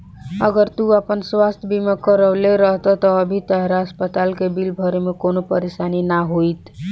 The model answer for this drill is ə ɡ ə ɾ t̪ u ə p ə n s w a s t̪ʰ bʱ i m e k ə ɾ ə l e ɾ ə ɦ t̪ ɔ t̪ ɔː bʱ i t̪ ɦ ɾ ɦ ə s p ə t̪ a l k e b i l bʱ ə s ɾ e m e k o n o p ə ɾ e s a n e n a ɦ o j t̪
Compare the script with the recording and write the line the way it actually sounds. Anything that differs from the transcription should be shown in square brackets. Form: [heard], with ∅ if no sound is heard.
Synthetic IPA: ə ɡ ə ɾ t̪ u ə p ə n s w a s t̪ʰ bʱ i m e k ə ɾ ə l e ɾ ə ɦ t̪ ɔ t̪ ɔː bʱ i t̪ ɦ ɾ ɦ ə s p ə t̪ a l k e b i l bʱ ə [∅] ɾ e m e k o n o p ə ɾ e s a n [i] n a ɦ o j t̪

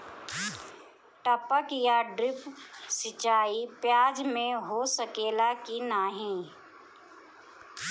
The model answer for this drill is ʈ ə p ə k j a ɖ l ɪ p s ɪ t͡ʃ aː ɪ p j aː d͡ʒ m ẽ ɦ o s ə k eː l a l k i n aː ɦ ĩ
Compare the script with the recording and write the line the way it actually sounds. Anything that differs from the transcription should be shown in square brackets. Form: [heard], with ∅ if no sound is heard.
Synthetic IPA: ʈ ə p ə k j a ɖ [ɾ] ɪ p s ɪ t͡ʃ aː [i] p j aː d͡ʒ m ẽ ɦ o s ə k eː l a [∅] k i n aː ɦ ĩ

